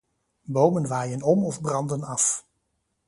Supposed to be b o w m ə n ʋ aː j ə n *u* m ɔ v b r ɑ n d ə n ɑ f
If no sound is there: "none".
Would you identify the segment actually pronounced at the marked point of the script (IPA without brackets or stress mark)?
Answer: ɔ